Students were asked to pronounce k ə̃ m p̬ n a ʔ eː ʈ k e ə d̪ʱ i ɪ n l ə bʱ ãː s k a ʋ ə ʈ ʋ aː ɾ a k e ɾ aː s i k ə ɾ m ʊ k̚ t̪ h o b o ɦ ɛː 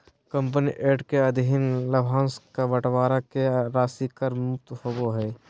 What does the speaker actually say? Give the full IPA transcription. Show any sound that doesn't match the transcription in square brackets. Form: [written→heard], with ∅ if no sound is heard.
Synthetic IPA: k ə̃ m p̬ n [a→i] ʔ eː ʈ k e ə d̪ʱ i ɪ n l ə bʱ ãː s k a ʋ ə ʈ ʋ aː ɾ a k e ɾ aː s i k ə ɾ m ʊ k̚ t̪ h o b o ɦ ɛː